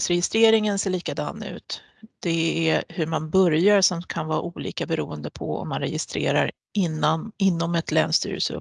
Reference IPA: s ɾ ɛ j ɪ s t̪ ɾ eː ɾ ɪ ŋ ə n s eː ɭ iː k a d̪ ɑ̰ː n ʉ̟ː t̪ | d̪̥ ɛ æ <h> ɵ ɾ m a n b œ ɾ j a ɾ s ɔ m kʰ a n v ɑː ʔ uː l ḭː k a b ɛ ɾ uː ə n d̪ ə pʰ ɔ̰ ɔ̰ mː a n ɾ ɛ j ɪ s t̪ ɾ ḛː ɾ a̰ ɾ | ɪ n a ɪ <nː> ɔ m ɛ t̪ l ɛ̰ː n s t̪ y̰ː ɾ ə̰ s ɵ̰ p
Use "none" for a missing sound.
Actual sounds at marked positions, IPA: h, nː

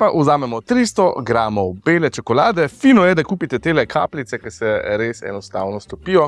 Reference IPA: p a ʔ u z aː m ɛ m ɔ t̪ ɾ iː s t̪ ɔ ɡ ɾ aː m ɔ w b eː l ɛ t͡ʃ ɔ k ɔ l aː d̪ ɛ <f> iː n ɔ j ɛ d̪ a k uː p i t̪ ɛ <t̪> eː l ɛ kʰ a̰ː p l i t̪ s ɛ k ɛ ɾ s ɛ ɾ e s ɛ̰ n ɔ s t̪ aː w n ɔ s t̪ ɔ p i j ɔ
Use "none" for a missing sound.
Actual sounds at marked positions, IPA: f, t̪

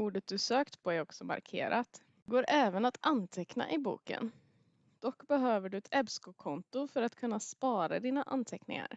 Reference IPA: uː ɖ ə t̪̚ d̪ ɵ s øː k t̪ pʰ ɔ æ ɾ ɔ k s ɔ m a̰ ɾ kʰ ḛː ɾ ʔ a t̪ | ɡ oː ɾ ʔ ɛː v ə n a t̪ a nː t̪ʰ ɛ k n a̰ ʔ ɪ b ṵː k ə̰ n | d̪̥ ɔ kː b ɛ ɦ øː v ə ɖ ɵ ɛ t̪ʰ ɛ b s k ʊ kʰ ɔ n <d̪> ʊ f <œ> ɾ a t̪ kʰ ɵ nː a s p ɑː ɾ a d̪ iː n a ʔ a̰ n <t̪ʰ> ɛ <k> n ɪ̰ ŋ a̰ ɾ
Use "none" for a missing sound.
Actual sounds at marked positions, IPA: t̪, œ, t̪ʰ, k

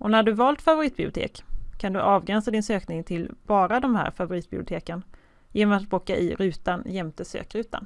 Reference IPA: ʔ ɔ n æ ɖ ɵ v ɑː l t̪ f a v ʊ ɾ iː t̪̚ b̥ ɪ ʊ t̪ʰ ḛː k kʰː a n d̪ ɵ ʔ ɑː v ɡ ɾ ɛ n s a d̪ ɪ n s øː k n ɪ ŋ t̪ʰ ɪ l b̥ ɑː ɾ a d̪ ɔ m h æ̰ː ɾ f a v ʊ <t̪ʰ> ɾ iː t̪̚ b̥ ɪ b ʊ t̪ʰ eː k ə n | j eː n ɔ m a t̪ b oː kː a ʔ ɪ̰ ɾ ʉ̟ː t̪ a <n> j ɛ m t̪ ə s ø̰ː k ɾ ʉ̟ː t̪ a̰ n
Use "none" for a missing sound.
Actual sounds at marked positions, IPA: none, n

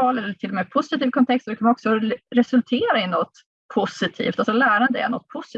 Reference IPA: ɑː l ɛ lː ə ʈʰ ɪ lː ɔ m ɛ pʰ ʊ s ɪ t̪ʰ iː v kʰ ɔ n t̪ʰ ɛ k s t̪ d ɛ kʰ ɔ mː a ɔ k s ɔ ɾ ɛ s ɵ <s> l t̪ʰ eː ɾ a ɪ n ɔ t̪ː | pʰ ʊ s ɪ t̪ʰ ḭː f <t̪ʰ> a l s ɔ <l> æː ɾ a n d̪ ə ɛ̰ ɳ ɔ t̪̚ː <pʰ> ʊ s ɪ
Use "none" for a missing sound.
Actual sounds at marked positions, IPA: none, t̪, l, pʰ

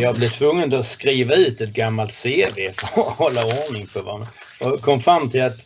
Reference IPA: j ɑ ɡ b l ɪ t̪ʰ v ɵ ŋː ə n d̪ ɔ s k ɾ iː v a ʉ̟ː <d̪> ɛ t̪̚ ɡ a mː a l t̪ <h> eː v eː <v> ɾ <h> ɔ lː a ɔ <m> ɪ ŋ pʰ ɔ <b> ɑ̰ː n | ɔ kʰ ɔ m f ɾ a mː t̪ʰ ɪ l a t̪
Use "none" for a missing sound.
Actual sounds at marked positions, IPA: t̪, s, f, h, ɳ, v

